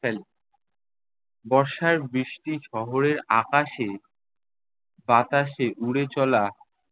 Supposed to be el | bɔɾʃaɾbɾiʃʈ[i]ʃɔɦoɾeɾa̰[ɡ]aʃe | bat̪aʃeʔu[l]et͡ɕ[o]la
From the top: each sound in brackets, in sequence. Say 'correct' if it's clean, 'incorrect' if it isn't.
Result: correct, incorrect: k, incorrect: ɽ, incorrect: ɔ

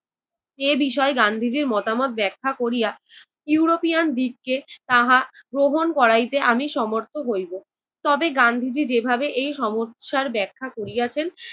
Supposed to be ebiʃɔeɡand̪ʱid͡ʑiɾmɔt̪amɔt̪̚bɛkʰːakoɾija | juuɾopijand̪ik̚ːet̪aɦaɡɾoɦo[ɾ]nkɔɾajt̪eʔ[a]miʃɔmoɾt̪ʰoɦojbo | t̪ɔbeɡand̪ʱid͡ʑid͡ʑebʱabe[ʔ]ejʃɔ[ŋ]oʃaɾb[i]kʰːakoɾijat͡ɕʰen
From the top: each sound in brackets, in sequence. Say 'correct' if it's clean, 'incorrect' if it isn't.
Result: incorrect: none, correct, correct, incorrect: m, incorrect: ɛ

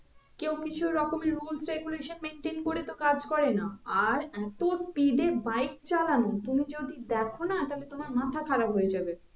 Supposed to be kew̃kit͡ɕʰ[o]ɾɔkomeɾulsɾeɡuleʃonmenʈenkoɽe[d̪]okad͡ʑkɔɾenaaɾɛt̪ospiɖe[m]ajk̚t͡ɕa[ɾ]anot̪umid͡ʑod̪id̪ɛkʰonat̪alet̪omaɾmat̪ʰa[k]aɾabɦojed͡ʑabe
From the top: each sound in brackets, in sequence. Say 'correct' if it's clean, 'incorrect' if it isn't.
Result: incorrect: u, incorrect: t̪, incorrect: b, incorrect: l, incorrect: kʰ

